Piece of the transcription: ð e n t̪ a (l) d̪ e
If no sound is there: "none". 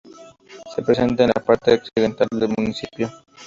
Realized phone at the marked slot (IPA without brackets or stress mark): l